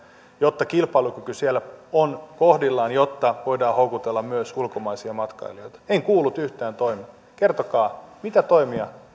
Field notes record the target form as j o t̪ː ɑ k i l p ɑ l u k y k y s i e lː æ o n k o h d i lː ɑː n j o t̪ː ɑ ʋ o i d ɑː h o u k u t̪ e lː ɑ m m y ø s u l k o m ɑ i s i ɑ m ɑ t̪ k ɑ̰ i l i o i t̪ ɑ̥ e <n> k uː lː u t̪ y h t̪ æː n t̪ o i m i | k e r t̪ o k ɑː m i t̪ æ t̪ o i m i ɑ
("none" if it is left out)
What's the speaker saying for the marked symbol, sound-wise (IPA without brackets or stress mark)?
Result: ŋ